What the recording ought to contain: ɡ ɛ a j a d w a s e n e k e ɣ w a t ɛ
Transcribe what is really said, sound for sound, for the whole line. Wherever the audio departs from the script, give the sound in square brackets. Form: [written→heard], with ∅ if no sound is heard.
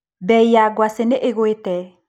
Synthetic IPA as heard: [ɡ→b] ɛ [a→i] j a [d→ɡ] w a s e n e [k→ʔ] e ɣ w [a→e] t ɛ